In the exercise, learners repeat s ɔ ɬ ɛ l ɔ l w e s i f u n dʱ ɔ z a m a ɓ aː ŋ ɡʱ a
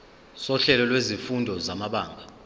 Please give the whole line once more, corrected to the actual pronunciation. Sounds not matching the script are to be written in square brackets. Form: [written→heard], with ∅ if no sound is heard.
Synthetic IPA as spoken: s ɔ ɬ ɛ l ɔ l w e [s→z] i f u n dʱ ɔ z a m a ɓ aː ŋ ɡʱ a